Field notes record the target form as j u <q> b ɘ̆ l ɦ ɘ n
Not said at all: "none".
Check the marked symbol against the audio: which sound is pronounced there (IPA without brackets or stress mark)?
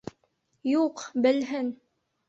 q